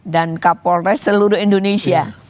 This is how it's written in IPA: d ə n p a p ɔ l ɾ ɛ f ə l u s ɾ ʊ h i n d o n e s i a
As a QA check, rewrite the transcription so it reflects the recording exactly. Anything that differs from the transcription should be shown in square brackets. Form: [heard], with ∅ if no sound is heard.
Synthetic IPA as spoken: d [a] n [k] a p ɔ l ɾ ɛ [s] ə l u [∅] ɾ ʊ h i n d o n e s i a

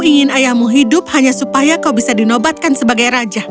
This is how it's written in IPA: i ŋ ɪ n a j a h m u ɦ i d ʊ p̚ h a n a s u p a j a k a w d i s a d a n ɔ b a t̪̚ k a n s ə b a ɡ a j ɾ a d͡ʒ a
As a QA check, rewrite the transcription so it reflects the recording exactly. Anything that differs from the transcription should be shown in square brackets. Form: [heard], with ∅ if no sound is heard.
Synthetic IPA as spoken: i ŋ ɪ n a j a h m u ɦ i d ʊ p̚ h a [ɲ] a s u p a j a k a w [b] i s a d [i] n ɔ b a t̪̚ k a n s ə b a ɡ a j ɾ a d͡ʒ a

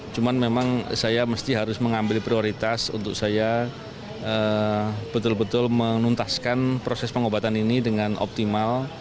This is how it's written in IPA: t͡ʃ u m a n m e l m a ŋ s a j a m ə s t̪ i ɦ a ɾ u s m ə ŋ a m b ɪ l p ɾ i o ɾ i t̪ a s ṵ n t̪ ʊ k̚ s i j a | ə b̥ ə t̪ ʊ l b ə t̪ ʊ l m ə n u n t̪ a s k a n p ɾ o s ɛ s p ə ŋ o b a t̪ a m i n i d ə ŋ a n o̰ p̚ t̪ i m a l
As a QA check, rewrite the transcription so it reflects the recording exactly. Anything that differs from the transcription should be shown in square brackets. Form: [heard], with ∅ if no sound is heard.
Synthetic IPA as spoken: t͡ʃ u m a n m e [∅] m a ŋ s a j a m ə s t̪ i ɦ a ɾ [ʊ] s m ə ŋ a m b ɪ l p ɾ i o ɾ i t̪ a s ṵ n t̪ ʊ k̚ s [a] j a | ə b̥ ə t̪ ʊ l b ə t̪ ʊ l m ə n u n t̪ a s k a n p ɾ o s ɛ s p ə ŋ o b a t̪ a [n] i n i d ə ŋ a n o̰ p̚ t̪ i m a l

